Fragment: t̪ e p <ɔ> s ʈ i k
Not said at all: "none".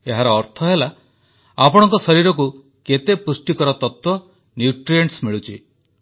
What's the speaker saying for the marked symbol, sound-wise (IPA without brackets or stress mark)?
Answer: u